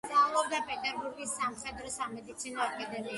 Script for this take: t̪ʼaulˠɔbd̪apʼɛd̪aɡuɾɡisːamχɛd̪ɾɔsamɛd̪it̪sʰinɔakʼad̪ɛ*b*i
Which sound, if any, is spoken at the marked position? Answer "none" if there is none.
m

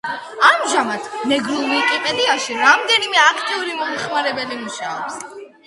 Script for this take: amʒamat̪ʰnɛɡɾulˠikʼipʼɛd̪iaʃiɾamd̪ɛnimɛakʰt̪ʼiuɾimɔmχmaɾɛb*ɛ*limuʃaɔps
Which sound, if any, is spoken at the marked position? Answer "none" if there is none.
ɛ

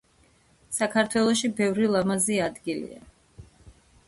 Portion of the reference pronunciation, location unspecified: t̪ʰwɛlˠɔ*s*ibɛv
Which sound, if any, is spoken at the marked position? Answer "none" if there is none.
ʃ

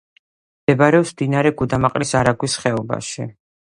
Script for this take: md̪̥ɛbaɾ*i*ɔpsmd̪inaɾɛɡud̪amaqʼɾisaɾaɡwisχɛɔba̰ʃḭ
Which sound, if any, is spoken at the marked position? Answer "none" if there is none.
ɛ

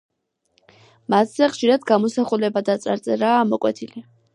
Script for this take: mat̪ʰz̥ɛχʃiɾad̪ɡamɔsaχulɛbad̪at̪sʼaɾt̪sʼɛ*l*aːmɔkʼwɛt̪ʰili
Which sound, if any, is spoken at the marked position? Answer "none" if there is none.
ɾ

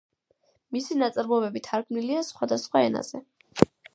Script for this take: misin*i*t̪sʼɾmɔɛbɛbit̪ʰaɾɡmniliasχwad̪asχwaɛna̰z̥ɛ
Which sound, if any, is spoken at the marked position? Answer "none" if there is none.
a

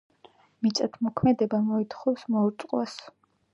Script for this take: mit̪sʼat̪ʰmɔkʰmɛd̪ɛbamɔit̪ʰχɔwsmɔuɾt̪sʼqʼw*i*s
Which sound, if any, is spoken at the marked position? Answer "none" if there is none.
a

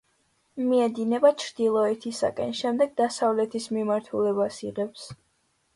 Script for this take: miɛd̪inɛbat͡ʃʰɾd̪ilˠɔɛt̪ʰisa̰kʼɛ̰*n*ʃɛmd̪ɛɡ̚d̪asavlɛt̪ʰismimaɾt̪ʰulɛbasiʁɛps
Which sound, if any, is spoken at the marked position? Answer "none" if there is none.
n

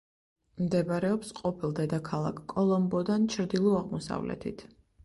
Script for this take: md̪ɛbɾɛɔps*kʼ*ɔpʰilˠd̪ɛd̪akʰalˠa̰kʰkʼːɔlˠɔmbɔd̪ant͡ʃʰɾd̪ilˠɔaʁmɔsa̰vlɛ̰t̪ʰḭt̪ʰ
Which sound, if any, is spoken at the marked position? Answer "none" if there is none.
qʼ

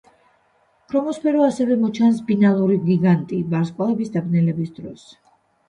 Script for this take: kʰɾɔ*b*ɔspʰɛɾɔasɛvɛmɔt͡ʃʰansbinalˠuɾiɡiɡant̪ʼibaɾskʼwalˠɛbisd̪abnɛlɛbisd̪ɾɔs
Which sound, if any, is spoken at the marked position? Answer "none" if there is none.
m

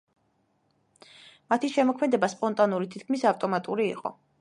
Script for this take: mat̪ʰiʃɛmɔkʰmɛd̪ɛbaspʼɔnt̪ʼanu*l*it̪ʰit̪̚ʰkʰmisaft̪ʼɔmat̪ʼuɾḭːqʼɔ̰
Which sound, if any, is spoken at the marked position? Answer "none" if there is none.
ɾ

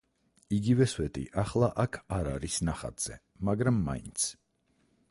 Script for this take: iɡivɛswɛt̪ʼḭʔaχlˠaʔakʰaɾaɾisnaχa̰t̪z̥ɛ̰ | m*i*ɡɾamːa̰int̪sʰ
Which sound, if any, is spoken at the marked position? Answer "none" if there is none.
a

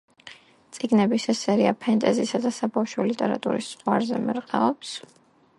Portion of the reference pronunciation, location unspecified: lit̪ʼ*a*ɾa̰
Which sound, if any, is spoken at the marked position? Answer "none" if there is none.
ɛ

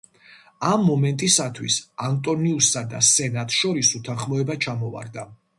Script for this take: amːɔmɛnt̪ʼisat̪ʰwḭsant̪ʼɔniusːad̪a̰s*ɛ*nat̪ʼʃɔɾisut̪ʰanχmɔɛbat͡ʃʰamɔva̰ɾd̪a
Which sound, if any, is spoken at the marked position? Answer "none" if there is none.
ɛ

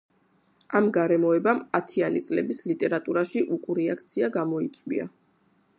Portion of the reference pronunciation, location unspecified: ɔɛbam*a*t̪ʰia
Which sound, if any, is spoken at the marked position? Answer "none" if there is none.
a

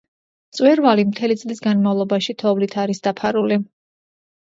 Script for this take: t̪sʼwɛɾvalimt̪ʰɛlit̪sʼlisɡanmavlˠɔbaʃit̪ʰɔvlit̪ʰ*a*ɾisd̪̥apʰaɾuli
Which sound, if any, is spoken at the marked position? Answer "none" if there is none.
a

